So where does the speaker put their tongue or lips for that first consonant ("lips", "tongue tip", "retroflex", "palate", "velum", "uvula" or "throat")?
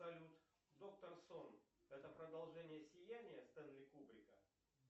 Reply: tongue tip